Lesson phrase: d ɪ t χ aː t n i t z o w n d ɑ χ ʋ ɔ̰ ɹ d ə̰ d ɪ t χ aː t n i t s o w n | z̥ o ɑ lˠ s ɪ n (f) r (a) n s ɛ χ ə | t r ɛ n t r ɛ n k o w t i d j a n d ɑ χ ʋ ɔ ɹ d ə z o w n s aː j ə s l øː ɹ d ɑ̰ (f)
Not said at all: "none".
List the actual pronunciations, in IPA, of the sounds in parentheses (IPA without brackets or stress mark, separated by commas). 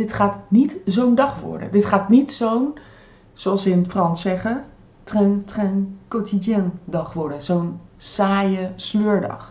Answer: f, ɑ, χ